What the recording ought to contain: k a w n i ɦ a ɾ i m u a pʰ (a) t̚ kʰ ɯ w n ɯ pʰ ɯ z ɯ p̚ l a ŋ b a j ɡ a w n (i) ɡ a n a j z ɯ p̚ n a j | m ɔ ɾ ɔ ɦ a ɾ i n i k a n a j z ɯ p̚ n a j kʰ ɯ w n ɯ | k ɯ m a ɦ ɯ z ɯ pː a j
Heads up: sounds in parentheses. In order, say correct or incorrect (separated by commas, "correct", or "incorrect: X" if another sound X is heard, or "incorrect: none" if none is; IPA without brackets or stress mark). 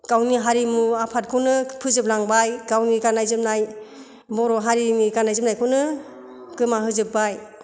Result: correct, correct